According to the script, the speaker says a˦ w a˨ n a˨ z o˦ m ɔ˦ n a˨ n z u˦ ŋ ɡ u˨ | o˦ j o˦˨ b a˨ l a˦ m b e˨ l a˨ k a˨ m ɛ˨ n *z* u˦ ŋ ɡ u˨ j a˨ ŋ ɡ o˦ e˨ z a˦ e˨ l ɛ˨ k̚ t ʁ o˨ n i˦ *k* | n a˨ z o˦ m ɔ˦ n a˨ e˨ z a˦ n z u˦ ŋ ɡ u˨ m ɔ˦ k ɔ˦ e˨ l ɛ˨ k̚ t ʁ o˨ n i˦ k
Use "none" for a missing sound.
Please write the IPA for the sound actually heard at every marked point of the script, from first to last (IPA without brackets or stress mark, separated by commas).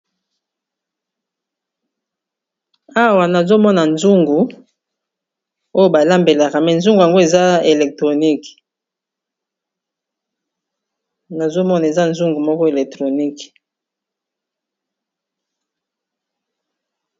z, k